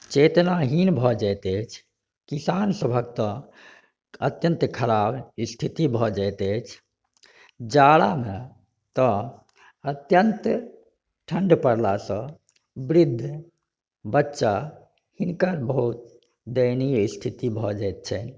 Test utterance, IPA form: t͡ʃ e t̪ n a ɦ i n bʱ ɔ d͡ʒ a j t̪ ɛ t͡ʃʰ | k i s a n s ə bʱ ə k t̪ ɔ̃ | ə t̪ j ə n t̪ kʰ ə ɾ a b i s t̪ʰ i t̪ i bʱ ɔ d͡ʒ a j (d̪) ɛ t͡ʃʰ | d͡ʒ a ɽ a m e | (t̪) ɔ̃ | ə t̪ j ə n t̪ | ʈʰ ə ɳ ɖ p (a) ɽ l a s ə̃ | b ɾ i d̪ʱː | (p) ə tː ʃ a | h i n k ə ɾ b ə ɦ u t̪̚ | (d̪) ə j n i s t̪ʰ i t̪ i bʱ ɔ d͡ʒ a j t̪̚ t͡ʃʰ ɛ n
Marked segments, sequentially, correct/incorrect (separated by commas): incorrect, correct, incorrect, incorrect, correct